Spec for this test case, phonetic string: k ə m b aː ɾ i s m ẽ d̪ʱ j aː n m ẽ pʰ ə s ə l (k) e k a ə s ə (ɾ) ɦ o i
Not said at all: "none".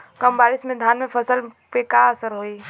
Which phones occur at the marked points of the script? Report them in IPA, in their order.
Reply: p, ɾ

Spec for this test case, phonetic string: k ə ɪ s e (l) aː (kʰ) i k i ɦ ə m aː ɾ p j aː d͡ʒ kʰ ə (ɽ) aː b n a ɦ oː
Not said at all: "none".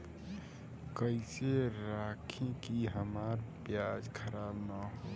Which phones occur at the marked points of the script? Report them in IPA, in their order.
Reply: ɾ, kʰ, ɾ

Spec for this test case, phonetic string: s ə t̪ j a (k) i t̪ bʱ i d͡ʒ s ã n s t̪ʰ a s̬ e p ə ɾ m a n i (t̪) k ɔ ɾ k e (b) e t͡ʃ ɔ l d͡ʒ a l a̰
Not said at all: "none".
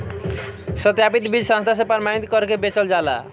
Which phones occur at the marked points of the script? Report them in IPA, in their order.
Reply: p, t̪, b

